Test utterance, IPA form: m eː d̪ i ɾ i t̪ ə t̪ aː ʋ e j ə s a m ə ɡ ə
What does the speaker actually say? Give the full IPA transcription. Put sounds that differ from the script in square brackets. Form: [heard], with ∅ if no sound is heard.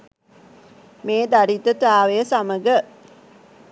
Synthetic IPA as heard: m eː d̪ [a] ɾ i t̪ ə t̪ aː ʋ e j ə s a m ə ɡ ə